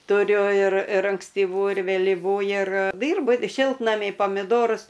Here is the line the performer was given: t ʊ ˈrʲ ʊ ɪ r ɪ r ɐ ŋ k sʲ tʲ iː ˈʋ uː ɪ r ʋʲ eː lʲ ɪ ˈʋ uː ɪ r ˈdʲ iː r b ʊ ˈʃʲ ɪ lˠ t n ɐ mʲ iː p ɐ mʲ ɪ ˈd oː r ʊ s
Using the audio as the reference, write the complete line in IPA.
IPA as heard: t ʊ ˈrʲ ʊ ɪ r ɪ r ɐ ŋ k sʲ tʲ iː ˈʋ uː ɪ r ʋʲ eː lʲ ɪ ˈʋ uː ɪ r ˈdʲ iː r b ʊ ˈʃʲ ɪ lˠ t n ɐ mʲ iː p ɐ mʲ ɪ ˈd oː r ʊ s